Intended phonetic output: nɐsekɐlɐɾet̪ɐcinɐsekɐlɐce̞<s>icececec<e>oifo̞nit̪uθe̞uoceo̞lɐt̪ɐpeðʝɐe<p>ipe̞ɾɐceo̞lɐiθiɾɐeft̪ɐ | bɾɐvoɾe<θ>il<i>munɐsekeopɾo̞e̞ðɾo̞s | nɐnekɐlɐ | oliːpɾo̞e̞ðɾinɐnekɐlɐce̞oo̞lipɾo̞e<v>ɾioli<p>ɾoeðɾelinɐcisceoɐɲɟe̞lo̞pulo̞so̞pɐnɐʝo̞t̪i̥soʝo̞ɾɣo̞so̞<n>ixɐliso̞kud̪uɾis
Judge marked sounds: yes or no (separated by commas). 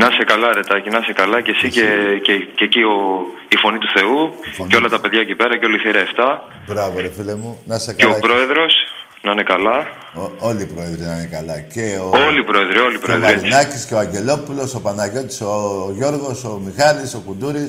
yes, no, no, no, no, no, yes, no